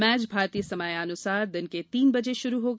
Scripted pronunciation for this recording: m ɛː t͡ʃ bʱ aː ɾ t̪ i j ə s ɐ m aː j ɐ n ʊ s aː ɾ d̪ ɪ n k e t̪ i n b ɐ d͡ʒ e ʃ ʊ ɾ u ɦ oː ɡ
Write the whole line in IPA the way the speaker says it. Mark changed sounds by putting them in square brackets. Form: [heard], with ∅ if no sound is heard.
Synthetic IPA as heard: m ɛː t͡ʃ bʱ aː ɾ t̪ i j ə s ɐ m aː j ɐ n ʊ s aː ɾ d̪ ɪ n k e t̪ [iː] n b ɐ d͡ʒ e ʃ ʊ ɾ u ɦ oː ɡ